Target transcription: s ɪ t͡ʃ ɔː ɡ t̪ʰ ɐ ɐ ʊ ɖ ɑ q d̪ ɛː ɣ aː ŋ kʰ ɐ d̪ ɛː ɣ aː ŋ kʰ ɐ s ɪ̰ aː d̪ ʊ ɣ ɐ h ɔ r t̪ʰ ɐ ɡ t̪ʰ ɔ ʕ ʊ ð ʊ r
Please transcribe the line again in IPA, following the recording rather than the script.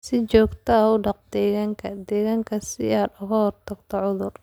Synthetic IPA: s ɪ t͡ʃ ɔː ɡ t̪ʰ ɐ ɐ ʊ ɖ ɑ q d̪ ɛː ɣ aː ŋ kʰ ɐ d̪ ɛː ɣ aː ŋ kʰ ɐ s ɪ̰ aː d̪ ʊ ɣ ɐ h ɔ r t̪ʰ ɐ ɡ t̪ʰ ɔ ʕ ʊ ð ʊ r